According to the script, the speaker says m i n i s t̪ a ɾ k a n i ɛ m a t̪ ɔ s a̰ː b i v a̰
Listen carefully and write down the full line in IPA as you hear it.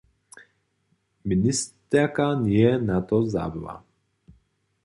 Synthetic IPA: m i n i s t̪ ɛ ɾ k a n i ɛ n a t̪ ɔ z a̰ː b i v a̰